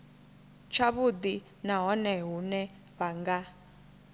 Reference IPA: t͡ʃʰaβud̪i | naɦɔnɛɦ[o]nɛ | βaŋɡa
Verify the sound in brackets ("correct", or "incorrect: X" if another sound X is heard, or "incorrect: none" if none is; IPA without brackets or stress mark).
incorrect: u